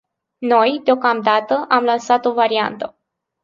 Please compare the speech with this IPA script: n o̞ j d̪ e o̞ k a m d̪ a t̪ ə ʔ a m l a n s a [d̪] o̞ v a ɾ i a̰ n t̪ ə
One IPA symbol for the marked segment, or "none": t̪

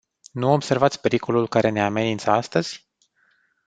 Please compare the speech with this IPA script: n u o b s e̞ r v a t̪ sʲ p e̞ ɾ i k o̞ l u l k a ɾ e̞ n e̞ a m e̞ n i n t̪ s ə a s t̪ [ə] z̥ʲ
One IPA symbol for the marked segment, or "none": ə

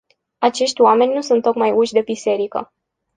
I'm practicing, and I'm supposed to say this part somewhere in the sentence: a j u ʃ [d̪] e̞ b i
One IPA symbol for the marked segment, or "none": d̪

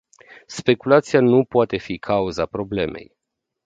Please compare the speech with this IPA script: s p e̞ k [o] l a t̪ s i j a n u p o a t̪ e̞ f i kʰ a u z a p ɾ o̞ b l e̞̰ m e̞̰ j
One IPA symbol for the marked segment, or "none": u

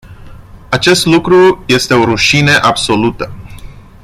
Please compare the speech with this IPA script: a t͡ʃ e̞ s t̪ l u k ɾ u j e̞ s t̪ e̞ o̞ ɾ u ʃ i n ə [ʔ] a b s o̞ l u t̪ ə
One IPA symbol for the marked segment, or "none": ʔ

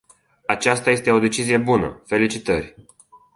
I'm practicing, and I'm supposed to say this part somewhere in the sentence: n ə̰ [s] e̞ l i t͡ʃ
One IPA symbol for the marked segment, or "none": f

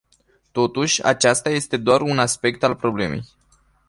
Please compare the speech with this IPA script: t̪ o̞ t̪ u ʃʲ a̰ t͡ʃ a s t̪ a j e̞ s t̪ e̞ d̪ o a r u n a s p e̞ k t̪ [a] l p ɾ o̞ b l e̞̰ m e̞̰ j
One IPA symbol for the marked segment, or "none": a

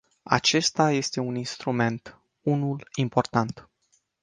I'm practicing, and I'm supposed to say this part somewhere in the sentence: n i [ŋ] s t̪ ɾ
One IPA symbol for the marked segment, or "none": n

